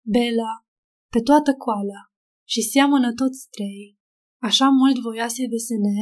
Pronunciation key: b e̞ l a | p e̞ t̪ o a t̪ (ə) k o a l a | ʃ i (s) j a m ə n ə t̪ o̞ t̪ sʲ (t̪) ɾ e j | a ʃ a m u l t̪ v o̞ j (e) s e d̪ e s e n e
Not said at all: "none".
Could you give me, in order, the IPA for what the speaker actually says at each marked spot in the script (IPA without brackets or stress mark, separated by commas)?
ə, s, t̪, a